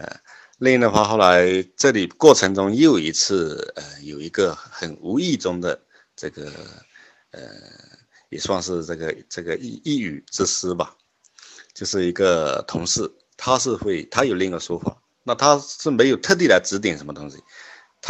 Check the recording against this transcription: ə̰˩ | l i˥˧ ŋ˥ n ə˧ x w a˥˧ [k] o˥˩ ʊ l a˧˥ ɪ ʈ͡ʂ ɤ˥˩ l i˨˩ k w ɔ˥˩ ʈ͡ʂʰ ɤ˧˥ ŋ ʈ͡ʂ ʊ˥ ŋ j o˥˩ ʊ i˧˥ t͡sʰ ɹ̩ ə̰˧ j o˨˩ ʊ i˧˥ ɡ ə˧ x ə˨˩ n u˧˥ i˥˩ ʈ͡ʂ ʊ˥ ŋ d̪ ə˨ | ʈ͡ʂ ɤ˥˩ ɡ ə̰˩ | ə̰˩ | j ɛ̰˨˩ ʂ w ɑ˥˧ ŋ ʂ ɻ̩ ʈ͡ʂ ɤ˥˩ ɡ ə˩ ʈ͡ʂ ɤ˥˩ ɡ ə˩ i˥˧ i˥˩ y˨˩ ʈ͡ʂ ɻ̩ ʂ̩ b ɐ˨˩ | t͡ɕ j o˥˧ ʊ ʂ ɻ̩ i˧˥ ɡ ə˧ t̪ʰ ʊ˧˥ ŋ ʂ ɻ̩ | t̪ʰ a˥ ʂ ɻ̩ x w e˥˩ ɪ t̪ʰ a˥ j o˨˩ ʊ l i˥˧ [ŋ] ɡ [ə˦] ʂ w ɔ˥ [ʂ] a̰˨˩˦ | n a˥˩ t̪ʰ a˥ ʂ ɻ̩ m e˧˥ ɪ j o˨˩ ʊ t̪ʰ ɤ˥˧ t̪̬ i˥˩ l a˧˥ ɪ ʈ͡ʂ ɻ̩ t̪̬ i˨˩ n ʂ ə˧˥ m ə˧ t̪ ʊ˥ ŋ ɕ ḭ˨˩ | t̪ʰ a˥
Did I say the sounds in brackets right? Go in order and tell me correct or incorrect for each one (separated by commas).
incorrect, correct, incorrect, incorrect